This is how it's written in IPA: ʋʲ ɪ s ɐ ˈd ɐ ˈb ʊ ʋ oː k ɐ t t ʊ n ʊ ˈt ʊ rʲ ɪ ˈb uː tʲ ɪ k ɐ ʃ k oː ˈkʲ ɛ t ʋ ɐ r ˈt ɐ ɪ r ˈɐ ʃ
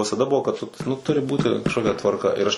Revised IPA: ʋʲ ɪ s ɐ ˈd ɐ ˈb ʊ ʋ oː k ɐ t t ʊ n ʊ ˈt ʊ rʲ ɪ ˈb uː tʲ ɪ k ɐ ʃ k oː ˈkʲ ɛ t ʋ ɐ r ˈk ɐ ɪ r ˈɐ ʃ